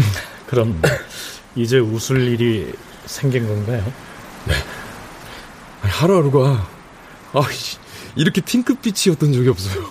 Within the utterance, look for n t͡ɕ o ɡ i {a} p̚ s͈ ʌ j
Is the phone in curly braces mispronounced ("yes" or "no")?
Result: yes